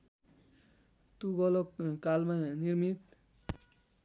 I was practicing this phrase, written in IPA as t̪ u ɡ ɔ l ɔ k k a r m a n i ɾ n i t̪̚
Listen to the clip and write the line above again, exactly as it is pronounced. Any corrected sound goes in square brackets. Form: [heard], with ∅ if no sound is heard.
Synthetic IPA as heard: t̪ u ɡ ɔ l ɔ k k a [l] m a n i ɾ [m] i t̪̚